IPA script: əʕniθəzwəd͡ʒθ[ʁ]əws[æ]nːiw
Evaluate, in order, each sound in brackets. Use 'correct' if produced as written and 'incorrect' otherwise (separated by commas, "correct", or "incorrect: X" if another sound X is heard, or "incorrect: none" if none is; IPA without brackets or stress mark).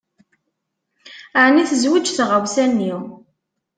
correct, correct